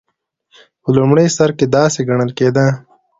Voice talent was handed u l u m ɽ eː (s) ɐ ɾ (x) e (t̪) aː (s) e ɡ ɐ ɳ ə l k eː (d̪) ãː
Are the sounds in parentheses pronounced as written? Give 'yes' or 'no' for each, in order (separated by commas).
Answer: yes, no, no, yes, yes